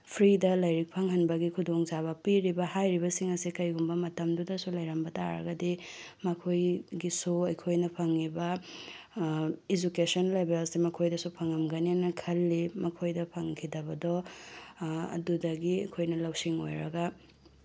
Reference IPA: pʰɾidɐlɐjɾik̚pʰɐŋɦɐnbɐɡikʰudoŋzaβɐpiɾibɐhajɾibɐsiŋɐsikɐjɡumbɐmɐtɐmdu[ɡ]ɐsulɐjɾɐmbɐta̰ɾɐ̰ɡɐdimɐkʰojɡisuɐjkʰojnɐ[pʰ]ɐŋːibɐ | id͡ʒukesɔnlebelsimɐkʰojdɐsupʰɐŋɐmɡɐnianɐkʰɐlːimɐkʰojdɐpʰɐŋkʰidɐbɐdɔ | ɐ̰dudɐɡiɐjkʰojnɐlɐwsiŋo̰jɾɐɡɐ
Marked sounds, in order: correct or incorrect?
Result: incorrect, correct

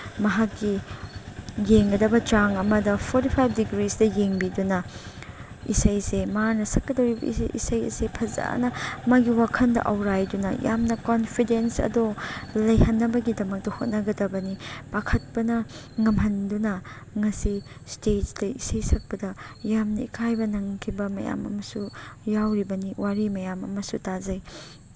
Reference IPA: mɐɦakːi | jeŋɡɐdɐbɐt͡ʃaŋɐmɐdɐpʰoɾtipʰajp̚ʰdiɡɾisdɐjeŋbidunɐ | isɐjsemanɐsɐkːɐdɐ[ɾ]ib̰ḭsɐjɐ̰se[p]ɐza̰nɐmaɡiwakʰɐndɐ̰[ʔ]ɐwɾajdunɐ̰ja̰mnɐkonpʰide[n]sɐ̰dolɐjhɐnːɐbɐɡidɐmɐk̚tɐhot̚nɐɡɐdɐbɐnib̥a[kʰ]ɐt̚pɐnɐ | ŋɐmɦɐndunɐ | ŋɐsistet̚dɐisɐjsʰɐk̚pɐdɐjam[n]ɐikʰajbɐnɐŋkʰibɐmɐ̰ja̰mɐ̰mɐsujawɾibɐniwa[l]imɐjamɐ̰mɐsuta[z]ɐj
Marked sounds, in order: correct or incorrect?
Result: correct, incorrect, correct, correct, correct, correct, incorrect, correct

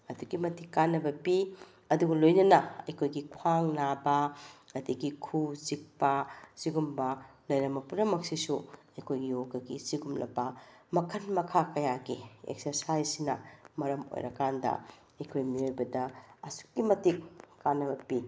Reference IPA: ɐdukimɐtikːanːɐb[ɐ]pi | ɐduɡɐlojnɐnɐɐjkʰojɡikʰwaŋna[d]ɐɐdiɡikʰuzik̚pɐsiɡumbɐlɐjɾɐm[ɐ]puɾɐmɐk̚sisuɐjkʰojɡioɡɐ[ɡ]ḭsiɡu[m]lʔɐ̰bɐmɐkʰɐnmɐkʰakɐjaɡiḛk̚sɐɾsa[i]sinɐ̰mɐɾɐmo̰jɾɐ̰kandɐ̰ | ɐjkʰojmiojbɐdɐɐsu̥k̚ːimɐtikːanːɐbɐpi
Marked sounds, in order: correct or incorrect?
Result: correct, incorrect, correct, correct, correct, incorrect

